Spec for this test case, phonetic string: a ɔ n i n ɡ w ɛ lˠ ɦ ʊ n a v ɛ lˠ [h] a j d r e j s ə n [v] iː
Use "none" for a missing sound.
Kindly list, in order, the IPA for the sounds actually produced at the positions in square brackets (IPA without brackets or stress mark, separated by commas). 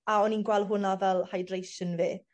h, v